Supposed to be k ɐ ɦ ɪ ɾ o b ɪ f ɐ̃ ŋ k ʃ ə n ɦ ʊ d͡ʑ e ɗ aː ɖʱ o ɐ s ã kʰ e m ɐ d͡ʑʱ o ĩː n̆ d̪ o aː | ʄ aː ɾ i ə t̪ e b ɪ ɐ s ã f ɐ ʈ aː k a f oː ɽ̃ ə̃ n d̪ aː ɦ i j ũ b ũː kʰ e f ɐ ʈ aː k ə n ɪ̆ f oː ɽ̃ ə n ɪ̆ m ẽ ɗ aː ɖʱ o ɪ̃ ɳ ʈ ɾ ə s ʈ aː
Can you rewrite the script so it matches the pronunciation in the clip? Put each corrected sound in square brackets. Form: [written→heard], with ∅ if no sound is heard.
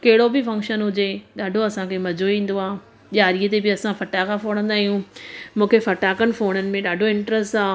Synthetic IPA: k ɐ ɦ ɪ [ɾ→ɽ] o b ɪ f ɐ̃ ŋ k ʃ ə n ɦ ʊ d͡ʑ e ɗ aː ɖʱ o ɐ s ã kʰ e m ɐ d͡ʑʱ o ĩː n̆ d̪ o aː | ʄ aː ɾ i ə t̪ e b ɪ ɐ s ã f ɐ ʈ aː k a f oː ɽ̃ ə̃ n d̪ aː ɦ i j ũ [b→m] ũː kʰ e f ɐ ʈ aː k ə n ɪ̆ f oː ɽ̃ ə n ɪ̆ m ẽ ɗ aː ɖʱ o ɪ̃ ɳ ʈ ɾ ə s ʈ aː